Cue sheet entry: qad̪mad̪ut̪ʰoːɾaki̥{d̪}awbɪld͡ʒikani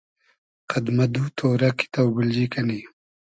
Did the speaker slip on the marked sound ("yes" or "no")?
yes